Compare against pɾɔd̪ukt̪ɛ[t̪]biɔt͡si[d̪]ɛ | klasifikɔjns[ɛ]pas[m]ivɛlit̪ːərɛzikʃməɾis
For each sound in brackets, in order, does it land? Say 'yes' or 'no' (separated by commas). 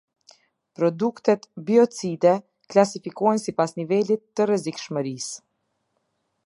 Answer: yes, yes, no, no